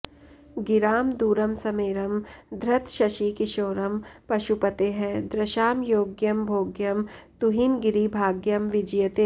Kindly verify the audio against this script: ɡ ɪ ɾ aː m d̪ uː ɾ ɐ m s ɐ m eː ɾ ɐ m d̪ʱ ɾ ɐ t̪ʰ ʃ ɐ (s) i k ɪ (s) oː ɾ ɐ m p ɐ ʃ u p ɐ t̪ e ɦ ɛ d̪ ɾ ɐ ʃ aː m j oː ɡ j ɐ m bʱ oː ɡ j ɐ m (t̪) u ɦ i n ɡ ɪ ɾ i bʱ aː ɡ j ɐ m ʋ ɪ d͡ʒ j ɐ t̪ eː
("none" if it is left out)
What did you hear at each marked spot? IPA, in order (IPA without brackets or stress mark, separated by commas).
ʃ, ʃ, t̪